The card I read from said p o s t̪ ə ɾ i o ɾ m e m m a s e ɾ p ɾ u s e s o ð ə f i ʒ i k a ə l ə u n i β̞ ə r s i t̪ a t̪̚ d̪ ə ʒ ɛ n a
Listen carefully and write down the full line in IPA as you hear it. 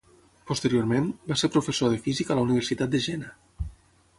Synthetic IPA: p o s t̪ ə ɾ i o ɾ m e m b a s e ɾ p ɾ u f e s o ð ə f i z i k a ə l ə u n i β̞ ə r s i t̪ a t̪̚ d̪ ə ʒ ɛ n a